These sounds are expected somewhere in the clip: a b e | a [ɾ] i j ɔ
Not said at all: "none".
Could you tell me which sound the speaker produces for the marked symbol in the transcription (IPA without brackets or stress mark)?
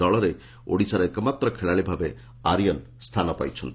ɾ